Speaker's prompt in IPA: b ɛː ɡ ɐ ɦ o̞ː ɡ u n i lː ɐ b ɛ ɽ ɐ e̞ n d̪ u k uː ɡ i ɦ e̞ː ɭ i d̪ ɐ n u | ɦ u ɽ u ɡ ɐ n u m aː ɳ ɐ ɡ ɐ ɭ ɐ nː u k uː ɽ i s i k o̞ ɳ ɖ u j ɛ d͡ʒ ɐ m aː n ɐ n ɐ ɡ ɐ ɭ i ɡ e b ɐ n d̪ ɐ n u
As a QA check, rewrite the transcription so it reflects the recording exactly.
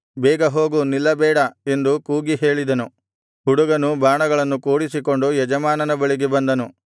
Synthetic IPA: b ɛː ɡ ɐ ɦ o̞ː ɡ u n i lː ɐ b ɛː ɽ ɐ e̞ n d̪ u k uː ɡ i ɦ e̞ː ɭ i d̪ ɐ n u | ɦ u ɽ u ɡ ɐ n u b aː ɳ ɐ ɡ ɐ ɭ ɐ nː u k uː ɽ i s i k o̞ ɳ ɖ u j ɛ d͡ʒ ɐ m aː n ɐ n ɐ b ɐ ɭ i ɡ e b ɐ n d̪ ɐ n u